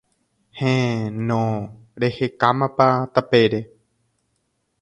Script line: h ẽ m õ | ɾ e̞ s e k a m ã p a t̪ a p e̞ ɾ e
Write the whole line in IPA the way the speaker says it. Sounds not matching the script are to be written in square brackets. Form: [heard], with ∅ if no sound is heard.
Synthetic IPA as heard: h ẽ [n] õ | ɾ e̞ [h] e k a m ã p a t̪ a p e̞ ɾ e